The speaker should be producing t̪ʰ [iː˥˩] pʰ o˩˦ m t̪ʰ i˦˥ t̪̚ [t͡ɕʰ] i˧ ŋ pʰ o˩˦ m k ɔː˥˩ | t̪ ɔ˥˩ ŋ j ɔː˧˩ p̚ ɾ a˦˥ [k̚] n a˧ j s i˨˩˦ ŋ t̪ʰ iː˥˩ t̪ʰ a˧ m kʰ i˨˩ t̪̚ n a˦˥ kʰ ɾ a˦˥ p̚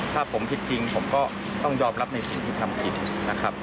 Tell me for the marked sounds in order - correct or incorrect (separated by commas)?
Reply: incorrect, incorrect, incorrect